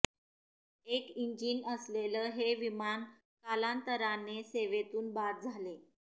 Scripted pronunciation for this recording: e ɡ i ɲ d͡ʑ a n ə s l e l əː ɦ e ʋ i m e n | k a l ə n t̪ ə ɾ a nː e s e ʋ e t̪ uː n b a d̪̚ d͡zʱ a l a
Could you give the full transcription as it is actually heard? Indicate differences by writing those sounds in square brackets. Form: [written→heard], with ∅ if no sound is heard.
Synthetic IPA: e [ɡ→k] i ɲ d͡ʑ [a→i] n ə s l e l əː ɦ e ʋ i m [e→a] n | k a l [ə→a] n t̪ ə ɾ a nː e s e ʋ e t̪ uː n b a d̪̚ d͡zʱ a l [a→e]